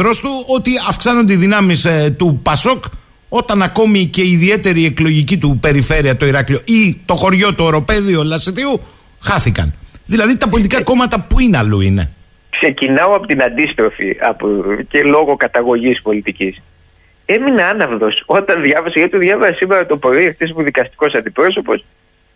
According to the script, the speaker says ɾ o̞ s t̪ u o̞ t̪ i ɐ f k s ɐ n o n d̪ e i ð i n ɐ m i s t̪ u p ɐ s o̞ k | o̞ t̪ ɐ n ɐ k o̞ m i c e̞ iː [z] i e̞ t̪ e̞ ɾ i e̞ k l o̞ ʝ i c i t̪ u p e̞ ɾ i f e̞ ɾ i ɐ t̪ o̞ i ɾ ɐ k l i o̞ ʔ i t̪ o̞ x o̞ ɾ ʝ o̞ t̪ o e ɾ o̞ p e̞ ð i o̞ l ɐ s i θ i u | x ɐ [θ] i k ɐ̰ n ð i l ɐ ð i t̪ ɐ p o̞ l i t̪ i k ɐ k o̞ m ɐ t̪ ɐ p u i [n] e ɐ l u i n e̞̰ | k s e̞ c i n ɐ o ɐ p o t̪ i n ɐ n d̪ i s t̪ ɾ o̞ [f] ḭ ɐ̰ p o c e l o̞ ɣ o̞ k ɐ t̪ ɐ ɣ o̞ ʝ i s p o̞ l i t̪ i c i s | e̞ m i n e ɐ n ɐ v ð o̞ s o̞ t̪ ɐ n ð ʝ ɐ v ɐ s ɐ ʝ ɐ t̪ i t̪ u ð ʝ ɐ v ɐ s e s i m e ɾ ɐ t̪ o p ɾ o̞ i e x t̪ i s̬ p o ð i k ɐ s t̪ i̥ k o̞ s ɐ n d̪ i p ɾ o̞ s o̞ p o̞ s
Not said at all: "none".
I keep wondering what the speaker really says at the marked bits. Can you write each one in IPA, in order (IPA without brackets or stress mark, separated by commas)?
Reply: ð, θ, n, f